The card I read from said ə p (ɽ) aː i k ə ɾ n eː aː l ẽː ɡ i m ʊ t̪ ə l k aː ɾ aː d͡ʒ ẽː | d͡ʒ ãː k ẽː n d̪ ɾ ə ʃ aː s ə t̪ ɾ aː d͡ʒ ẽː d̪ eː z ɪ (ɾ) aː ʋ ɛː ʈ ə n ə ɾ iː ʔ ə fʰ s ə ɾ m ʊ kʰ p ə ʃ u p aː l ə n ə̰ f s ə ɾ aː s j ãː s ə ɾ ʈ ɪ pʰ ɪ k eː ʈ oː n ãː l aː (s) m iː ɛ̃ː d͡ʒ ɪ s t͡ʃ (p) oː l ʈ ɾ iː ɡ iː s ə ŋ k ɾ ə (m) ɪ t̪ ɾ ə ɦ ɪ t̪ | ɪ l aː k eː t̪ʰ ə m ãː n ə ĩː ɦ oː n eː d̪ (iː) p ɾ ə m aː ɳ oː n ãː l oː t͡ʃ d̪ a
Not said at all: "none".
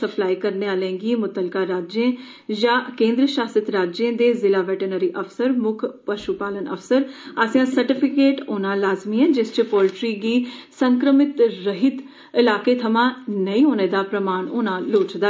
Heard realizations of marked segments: l, l, z, p, m, aː

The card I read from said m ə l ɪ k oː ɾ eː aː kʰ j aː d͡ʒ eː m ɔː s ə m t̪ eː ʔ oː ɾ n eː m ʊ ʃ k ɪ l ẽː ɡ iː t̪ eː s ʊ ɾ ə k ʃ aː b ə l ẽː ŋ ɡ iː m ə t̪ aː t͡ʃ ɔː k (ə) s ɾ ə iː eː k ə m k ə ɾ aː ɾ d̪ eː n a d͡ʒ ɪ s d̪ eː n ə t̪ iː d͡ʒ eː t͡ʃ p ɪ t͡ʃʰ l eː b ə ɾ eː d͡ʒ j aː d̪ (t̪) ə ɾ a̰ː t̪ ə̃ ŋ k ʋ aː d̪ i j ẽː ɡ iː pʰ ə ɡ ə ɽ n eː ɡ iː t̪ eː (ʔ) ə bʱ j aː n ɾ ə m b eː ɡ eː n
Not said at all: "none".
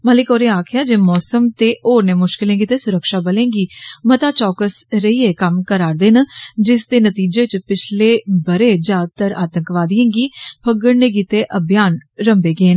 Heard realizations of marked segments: ə, t̪, ʔ

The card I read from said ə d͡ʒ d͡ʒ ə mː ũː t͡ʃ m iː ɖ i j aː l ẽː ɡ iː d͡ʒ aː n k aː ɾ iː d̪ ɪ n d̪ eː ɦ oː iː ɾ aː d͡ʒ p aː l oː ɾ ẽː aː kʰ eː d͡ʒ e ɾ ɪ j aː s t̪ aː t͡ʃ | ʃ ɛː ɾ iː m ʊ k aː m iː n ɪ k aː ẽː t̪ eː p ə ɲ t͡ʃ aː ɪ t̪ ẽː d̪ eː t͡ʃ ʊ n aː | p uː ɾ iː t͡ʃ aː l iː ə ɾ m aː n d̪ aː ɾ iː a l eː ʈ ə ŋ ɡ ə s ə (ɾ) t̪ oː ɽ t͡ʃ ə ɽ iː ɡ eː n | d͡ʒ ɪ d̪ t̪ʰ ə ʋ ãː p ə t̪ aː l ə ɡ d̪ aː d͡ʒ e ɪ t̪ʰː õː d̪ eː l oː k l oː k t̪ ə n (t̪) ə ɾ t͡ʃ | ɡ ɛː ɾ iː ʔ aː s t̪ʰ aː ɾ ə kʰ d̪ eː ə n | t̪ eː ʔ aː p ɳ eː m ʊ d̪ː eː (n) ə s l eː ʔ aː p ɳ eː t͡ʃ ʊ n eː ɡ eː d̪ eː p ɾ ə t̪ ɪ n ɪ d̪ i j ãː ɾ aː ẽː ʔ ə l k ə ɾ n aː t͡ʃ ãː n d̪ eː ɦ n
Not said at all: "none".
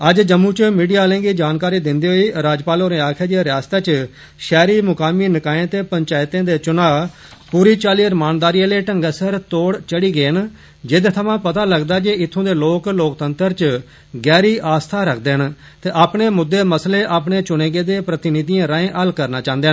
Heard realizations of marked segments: ɾ, t̪, m

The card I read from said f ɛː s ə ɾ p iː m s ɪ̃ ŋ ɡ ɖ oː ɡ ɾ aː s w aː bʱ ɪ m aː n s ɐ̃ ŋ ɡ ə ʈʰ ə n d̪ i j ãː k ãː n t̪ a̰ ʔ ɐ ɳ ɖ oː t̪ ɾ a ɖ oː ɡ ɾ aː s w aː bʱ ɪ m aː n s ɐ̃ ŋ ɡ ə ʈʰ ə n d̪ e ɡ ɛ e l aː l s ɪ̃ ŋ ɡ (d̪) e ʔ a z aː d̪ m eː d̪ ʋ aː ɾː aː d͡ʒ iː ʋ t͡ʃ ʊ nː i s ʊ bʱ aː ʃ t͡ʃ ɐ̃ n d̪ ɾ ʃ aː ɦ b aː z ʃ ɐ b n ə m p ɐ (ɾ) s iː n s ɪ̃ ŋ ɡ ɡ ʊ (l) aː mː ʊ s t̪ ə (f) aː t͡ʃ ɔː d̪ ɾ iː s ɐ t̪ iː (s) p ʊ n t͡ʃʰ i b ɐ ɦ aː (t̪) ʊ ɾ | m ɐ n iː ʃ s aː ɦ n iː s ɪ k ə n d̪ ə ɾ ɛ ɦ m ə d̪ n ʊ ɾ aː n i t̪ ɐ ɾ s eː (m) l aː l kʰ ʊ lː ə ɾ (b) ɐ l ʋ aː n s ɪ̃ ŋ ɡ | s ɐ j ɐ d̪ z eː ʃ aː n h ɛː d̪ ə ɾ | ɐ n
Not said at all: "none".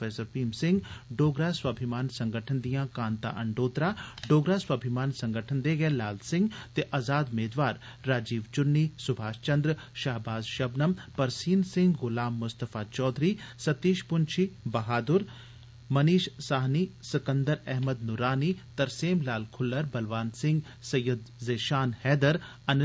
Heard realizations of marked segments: t̪, ɾ, l, f, ʃ, d̪, m, b

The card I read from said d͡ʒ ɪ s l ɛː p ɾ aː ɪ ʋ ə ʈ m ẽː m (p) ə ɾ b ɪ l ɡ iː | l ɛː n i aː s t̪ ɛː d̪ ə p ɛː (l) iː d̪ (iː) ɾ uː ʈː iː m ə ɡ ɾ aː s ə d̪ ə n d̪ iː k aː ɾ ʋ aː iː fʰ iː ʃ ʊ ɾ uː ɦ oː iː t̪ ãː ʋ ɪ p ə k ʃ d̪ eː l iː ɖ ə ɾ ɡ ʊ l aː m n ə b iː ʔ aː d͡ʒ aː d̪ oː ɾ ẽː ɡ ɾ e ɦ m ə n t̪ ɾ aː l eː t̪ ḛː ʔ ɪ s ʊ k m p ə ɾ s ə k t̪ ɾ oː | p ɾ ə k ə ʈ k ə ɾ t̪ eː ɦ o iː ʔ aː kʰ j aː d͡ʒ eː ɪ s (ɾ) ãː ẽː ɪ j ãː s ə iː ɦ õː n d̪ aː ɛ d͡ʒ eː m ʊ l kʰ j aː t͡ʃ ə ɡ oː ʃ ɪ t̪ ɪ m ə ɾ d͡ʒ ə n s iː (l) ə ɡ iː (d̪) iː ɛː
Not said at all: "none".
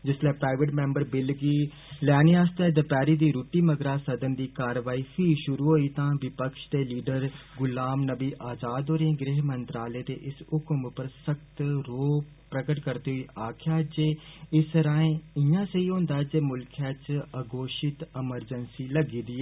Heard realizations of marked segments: b, ɾ, iː, ɾ, l, d̪

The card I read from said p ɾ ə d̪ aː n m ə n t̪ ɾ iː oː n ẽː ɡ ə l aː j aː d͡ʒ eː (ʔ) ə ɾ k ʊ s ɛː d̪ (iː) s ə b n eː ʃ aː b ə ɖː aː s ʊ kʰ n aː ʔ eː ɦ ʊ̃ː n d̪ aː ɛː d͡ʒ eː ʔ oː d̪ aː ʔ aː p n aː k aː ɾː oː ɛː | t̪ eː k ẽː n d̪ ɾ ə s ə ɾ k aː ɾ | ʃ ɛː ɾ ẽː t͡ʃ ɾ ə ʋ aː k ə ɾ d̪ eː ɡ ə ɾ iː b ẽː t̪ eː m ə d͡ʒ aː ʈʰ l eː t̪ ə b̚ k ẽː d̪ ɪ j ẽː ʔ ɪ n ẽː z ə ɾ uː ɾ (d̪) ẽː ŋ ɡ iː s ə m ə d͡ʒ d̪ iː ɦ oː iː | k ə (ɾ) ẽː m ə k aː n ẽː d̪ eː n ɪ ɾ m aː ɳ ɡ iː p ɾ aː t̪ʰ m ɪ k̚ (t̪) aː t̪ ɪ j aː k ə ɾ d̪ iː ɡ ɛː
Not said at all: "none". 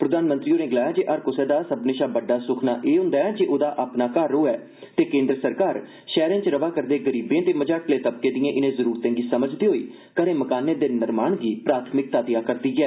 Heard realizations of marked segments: ʔ, aː, t̪, ɾ, t̪

